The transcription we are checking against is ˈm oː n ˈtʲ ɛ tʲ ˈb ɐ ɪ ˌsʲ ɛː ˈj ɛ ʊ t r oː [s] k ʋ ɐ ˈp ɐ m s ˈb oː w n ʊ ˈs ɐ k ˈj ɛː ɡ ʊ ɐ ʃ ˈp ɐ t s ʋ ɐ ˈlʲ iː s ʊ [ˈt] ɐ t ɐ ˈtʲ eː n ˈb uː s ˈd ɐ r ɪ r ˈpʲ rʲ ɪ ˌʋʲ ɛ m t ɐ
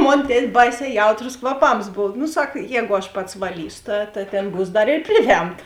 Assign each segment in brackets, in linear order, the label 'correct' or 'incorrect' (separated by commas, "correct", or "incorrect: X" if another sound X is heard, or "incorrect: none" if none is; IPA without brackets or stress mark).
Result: correct, correct